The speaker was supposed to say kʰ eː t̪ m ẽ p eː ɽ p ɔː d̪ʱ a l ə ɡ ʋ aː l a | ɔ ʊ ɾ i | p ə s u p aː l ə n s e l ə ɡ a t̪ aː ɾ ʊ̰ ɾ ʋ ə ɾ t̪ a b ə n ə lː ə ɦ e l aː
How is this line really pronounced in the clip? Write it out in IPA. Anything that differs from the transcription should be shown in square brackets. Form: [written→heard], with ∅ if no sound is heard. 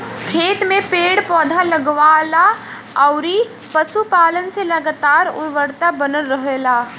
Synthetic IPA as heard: kʰ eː t̪ m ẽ p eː ɽ p ɔː d̪ʱ a l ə ɡ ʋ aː l a | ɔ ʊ ɾ i | p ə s u p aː l ə n s e l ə ɡ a t̪ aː ɾ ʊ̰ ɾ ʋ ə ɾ t̪ a b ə n ə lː ə ɦ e l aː